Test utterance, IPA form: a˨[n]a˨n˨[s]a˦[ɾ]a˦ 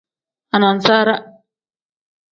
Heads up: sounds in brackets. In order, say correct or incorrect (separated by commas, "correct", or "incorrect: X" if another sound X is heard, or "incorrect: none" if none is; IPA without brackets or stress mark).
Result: correct, correct, correct